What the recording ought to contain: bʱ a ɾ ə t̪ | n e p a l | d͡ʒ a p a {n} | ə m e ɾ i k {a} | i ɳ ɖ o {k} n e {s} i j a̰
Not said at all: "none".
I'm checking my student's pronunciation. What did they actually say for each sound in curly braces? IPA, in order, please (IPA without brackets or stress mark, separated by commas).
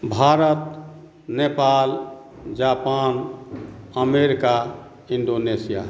n, a, none, s